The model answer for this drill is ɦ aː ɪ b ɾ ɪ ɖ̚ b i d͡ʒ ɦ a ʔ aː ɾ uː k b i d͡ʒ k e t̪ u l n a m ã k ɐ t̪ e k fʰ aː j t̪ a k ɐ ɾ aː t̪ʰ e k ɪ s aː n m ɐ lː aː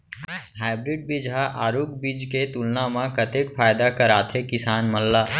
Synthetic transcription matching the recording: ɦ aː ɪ b ɾ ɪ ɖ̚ b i d͡ʒ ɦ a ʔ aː ɾ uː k b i d͡ʒ k e t̪ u l n a m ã k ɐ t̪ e k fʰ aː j d̪ a k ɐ ɾ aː t̪ʰ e k ɪ s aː n m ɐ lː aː